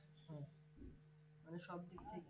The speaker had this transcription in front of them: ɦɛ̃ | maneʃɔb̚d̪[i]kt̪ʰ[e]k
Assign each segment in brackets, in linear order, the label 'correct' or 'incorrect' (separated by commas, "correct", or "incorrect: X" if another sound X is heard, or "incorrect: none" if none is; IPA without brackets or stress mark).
correct, correct